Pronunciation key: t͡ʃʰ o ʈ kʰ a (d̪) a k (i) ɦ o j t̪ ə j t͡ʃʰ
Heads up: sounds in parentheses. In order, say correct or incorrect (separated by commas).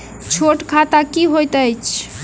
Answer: incorrect, correct